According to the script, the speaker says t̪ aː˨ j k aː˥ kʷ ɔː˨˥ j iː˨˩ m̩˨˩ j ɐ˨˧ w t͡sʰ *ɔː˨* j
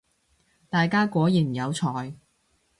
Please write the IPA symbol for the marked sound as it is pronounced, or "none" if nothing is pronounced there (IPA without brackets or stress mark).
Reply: ɔː˨